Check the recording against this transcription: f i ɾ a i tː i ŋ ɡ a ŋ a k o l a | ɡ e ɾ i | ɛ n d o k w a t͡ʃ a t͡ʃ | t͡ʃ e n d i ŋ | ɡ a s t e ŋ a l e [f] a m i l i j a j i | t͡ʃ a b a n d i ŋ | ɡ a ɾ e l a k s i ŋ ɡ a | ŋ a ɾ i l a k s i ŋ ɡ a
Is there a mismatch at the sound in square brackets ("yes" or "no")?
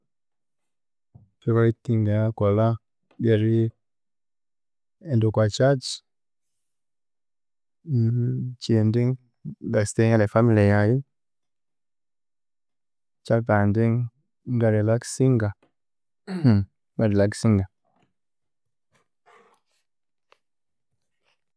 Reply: no